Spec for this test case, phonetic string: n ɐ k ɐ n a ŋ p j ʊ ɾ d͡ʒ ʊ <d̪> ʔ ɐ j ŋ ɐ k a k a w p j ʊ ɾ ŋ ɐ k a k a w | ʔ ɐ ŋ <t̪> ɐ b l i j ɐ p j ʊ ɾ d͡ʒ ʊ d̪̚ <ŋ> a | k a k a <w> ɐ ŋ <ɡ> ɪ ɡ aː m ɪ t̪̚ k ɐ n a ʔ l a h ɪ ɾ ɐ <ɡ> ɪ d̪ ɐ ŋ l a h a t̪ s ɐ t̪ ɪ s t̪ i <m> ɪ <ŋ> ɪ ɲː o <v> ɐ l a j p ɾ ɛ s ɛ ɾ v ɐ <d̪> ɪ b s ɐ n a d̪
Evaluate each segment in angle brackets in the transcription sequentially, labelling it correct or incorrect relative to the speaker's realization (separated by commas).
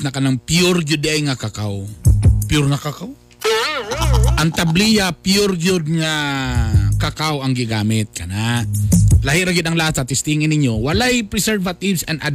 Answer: correct, correct, correct, correct, correct, correct, incorrect, incorrect, incorrect, incorrect